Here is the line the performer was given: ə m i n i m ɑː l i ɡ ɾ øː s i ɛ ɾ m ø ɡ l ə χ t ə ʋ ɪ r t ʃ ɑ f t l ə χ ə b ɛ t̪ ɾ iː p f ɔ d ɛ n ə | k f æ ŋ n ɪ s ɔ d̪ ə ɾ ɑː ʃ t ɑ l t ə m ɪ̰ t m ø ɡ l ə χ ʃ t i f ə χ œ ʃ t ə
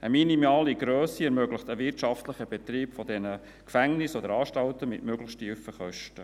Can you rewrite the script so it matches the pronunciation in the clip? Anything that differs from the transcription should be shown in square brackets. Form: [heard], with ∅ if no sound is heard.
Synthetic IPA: ə m i n i m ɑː l i ɡ ɾ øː s i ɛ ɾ m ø ɡ l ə χ t ə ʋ ɪ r t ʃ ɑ f t l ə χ ə b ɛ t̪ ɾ iː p f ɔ d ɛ n ə | k f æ ŋ n ɪ s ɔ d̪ ə ɾ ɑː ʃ t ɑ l t ə m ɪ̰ t m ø ɡ l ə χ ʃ t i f ə χ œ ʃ t ə